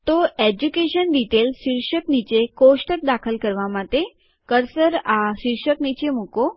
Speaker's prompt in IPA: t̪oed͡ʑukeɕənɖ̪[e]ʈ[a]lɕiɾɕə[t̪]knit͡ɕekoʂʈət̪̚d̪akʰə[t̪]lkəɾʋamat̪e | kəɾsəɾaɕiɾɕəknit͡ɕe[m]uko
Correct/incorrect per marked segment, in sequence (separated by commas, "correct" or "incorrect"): incorrect, incorrect, incorrect, incorrect, correct